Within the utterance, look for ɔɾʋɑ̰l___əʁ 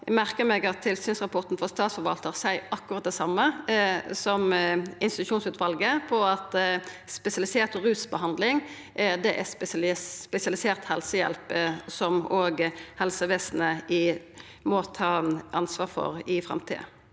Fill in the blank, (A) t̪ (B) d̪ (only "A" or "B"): A